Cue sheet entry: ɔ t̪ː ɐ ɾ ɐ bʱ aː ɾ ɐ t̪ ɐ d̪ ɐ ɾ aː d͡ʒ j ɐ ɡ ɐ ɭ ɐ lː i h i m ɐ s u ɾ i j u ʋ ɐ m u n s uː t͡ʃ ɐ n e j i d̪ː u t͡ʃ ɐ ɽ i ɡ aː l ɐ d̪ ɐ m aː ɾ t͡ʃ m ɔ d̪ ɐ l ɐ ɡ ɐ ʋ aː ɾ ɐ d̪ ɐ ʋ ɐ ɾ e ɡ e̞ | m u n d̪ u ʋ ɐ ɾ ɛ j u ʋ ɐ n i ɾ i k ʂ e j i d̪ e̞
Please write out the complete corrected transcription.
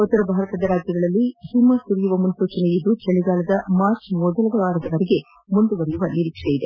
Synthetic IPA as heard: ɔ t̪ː ɐ ɾ ɐ bʱ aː ɾ ɐ t̪ ɐ d̪ ɐ ɾ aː d͡ʒ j ɐ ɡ ɐ ɭ ɐ lː i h i m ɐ s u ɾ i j u ʋ ɐ m u n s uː t͡ʃ ɐ n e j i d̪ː u t͡ʃ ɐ ɭ i ɡ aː l ɐ d̪ ɐ m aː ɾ t͡ʃ m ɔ d̪ ɐ l ɐ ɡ ɐ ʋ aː ɾ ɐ d̪ ɐ ʋ ɐ ɾ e ɡ e̞ | m u n d̪ u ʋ ɐ ɾ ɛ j u ʋ ɐ n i ɾ i k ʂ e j i d̪ e̞